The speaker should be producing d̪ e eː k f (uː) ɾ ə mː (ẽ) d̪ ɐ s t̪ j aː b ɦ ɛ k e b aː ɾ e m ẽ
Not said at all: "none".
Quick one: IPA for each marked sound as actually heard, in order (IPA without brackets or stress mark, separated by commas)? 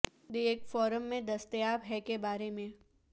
ɔː, ẽ